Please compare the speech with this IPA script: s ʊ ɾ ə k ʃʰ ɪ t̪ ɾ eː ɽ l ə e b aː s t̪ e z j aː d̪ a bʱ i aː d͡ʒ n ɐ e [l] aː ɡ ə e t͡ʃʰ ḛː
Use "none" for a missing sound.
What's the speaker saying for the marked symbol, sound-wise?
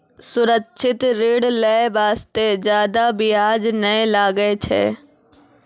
l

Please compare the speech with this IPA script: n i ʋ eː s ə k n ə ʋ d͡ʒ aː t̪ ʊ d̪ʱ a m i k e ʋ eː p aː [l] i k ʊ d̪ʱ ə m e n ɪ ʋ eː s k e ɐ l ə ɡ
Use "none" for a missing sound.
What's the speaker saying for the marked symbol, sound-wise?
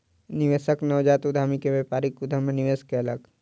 ɾ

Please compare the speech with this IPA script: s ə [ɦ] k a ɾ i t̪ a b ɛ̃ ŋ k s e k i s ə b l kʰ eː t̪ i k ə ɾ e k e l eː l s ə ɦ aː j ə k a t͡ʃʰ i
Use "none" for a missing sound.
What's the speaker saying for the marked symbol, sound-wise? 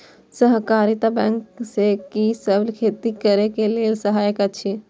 ɦ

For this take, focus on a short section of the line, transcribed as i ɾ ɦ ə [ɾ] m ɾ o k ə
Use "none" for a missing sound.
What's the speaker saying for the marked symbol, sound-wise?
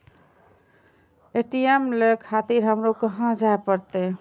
none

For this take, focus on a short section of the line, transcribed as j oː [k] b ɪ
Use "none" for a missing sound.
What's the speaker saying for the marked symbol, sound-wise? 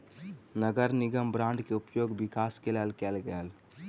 ɡ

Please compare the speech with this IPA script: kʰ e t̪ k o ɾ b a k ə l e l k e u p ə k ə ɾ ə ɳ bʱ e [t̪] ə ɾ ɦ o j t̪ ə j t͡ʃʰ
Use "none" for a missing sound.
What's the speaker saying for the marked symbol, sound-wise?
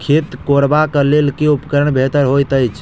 t̪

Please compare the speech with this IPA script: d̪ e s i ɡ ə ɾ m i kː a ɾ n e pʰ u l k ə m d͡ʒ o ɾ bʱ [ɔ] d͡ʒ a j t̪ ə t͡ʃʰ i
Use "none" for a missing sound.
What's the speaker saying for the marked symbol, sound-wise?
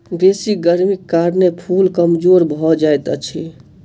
ɔ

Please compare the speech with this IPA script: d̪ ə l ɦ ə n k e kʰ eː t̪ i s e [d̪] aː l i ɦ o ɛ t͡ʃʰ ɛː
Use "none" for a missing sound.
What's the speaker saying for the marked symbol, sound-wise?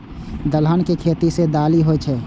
d̪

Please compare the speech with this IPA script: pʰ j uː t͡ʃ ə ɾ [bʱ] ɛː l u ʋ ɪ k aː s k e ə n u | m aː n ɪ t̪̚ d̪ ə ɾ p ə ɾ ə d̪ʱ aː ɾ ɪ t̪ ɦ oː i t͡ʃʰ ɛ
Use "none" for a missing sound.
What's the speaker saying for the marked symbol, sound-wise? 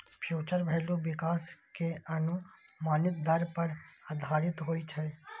bʱ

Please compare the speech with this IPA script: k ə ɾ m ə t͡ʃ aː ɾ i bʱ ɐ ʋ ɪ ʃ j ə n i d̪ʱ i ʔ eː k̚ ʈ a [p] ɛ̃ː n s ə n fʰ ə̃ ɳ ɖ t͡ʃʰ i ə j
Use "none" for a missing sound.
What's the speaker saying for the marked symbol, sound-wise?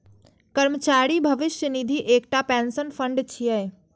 p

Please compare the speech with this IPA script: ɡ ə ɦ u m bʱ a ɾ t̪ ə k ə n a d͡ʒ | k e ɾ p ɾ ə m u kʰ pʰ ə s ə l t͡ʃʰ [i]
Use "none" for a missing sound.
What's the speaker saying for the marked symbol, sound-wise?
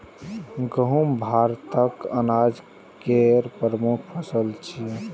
i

